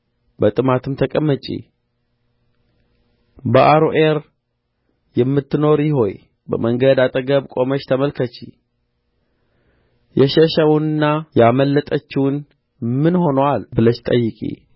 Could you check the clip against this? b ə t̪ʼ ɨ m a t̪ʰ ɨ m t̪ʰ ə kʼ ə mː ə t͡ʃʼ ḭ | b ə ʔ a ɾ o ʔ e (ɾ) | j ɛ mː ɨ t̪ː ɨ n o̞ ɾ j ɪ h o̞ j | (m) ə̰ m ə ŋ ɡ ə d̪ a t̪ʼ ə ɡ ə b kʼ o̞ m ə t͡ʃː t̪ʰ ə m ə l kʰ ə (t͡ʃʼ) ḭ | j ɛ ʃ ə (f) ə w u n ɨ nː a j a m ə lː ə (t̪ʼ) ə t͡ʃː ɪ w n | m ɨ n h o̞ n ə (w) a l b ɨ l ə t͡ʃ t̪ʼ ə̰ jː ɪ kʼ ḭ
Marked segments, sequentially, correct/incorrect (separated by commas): correct, incorrect, incorrect, incorrect, correct, correct